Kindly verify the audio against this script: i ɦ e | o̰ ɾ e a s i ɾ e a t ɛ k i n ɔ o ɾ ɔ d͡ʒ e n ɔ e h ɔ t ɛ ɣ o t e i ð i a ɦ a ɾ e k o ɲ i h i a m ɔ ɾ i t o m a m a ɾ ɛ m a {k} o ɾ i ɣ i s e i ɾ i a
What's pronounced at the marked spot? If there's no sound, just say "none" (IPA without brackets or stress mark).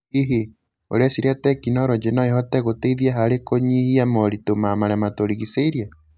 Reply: t